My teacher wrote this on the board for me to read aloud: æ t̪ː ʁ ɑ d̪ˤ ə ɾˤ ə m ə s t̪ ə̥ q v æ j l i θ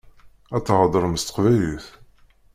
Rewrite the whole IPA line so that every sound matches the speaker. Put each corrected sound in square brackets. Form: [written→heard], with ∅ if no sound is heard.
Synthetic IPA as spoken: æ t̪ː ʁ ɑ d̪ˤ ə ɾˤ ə m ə s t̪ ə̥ q v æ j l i θ